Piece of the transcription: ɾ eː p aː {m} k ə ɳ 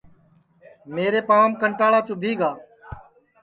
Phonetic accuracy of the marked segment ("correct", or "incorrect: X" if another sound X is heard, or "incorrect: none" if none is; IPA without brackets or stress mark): correct